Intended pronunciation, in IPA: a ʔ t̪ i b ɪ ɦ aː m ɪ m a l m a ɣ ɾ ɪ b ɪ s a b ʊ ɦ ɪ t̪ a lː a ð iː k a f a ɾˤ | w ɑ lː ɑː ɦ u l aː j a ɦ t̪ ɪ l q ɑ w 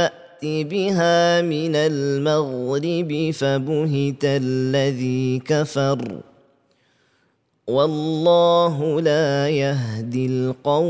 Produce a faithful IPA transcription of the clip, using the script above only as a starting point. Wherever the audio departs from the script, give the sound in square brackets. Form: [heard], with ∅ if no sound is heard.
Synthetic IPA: a ʔ t̪ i b ɪ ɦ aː m ɪ [n] a l m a ɣ ɾ ɪ b ɪ [f] a b ʊ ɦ ɪ t̪ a lː a ð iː k a f [ɑ] ɾˤ | w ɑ lː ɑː ɦ [ʊ] l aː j a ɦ [d̪] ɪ l q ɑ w